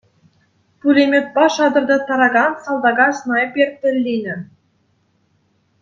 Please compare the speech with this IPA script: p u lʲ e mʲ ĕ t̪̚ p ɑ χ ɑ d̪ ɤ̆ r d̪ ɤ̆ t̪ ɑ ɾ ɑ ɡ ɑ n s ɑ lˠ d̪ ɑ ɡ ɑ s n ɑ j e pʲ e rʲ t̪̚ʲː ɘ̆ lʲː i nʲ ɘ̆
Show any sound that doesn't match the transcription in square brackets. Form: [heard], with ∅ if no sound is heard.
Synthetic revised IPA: p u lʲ e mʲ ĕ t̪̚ p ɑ [ʃ] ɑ d̪ ɤ̆ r d̪ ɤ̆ t̪ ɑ ɾ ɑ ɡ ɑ n s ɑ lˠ d̪ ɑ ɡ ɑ s n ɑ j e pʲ e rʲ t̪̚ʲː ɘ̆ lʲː i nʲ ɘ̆